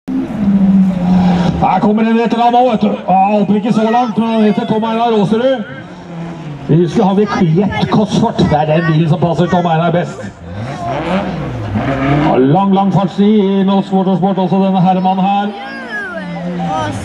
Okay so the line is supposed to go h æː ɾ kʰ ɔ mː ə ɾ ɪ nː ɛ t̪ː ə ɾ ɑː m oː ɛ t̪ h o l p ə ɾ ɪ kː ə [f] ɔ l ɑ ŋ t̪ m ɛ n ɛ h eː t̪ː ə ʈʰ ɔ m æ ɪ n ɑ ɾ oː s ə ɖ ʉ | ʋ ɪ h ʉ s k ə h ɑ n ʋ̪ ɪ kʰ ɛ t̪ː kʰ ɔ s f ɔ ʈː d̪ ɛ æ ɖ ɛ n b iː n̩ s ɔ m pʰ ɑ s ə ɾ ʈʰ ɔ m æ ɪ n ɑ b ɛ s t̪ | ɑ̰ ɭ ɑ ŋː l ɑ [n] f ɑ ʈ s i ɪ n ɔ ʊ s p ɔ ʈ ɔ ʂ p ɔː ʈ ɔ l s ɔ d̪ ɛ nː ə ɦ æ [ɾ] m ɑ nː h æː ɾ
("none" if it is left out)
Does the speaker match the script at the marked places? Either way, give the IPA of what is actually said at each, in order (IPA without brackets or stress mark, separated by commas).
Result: s, ŋ, ɾ